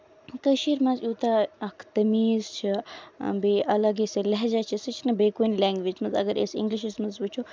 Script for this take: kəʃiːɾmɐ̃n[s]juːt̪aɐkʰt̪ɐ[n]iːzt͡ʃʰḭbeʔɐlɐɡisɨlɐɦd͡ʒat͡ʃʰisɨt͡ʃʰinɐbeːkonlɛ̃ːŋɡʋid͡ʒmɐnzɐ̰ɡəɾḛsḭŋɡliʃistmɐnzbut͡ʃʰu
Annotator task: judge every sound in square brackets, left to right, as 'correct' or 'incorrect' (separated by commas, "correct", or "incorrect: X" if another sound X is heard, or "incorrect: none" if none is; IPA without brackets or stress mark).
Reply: incorrect: z, incorrect: m